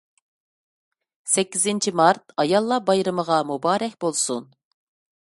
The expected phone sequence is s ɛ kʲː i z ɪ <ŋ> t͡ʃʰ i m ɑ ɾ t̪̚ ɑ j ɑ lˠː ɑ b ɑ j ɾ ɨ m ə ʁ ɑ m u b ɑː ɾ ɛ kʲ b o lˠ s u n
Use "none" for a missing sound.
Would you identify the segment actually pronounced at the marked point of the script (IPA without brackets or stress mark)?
n